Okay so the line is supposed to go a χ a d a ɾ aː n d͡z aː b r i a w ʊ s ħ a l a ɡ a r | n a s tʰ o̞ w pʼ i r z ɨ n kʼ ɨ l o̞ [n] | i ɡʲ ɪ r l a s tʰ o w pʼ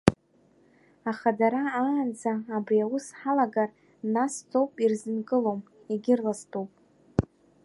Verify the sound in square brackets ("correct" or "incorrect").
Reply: incorrect